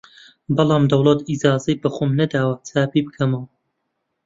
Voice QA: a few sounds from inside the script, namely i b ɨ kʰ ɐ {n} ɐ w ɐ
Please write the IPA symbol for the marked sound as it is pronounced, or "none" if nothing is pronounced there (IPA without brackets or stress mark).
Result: m